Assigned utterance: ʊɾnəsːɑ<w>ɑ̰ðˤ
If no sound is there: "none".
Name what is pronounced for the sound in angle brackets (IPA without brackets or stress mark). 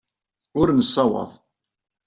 w